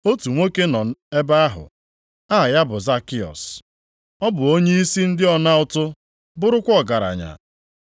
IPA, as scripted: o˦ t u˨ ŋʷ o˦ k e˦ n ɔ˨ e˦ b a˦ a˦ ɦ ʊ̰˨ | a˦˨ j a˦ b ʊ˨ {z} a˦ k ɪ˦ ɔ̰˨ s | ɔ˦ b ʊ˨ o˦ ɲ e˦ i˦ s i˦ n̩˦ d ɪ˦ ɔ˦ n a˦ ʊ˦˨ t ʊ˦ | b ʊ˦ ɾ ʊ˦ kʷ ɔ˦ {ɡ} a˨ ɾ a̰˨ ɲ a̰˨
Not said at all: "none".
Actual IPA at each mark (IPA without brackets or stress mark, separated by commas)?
z, ɡ